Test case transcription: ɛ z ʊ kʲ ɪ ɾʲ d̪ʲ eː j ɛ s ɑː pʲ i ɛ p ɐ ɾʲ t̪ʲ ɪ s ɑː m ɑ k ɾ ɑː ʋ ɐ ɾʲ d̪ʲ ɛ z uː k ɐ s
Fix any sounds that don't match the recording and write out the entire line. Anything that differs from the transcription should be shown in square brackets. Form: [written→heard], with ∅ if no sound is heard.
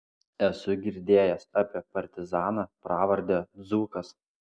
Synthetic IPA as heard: ɛ [z→s] ʊ [kʲ→ɡʲ] ɪ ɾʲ d̪ʲ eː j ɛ s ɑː pʲ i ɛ p ɐ ɾʲ t̪ʲ ɪ [s→z] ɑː [m→n] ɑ [k→p] ɾ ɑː ʋ ɐ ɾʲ d̪ʲ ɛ z uː k ɐ s